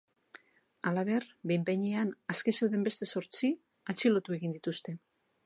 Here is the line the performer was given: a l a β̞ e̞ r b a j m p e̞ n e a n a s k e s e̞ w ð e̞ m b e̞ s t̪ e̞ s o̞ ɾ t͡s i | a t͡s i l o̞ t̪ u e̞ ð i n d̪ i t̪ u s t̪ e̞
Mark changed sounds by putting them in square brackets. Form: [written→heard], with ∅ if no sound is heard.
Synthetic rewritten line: a l a β̞ e̞ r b [a→e] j m p e̞ [n→ɲ] e a n a s k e s e̞ w ð e̞ m b e̞ s t̪ e̞ s o̞ ɾ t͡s i | a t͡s i l o̞ t̪ u e̞ [ð→ɣ] i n d̪ i t̪ u s t̪ e̞